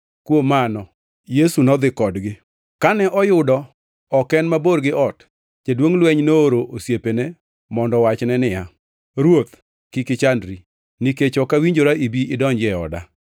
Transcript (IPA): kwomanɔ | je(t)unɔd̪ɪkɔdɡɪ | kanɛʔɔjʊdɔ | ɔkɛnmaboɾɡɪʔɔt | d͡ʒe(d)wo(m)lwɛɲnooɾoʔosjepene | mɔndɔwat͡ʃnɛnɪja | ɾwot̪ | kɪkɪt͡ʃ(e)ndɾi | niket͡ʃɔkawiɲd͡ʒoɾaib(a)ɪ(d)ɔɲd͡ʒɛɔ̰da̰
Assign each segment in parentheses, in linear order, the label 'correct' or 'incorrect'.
incorrect: s, correct, incorrect: ŋ, incorrect: a, incorrect: i, correct

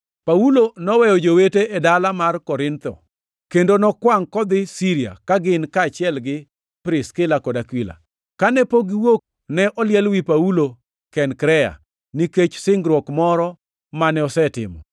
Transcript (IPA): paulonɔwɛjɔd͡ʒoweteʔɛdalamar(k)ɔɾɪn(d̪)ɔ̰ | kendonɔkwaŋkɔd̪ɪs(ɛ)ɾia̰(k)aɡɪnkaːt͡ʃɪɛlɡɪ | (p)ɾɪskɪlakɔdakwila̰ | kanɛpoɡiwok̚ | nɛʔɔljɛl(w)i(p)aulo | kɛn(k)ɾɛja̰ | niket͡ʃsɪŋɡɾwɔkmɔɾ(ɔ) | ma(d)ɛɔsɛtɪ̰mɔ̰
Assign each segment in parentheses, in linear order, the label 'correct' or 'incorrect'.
correct, incorrect: t̪, incorrect: i, correct, correct, correct, correct, correct, correct, incorrect: n

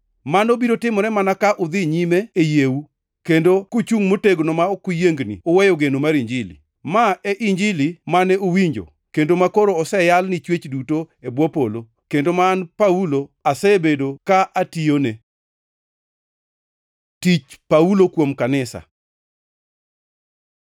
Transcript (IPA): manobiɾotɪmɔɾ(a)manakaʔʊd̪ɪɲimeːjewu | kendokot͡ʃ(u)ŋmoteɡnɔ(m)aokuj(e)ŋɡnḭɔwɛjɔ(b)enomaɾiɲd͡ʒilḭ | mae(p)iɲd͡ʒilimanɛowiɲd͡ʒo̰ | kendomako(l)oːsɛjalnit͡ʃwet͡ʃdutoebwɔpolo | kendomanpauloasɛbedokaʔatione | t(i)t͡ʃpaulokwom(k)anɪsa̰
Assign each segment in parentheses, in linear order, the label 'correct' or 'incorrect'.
incorrect: ɛ, correct, correct, correct, incorrect: ɡ, incorrect: ʔ, incorrect: ɾ, correct, correct

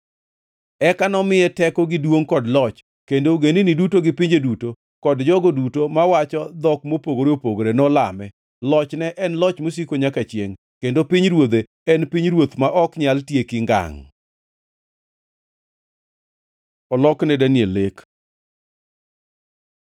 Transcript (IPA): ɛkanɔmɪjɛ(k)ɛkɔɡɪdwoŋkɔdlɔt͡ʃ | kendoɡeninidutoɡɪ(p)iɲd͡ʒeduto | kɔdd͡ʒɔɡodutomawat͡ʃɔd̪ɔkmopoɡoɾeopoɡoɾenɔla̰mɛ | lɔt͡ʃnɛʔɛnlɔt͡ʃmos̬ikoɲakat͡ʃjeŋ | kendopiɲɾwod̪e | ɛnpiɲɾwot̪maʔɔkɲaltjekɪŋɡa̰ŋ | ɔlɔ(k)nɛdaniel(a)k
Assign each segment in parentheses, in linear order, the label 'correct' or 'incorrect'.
incorrect: t, correct, correct, incorrect: e

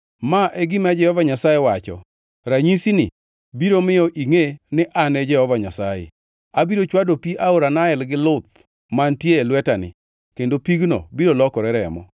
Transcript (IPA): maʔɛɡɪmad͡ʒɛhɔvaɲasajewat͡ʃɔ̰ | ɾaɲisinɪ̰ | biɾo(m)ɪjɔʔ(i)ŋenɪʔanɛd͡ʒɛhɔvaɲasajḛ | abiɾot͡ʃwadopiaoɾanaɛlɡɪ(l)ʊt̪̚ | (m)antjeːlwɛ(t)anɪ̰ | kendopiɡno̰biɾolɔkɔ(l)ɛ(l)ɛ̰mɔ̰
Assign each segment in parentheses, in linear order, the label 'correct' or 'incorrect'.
correct, correct, correct, correct, correct, incorrect: ɾ, incorrect: ɾ

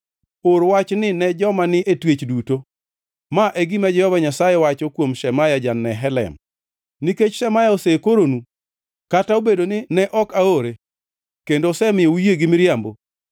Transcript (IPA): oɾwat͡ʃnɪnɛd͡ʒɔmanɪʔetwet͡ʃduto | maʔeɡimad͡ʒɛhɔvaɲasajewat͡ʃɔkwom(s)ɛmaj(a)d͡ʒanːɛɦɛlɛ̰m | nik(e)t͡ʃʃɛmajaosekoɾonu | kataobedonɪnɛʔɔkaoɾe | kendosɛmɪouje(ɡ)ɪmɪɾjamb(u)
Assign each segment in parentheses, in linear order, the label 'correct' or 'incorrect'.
incorrect: ʃ, correct, correct, correct, incorrect: o

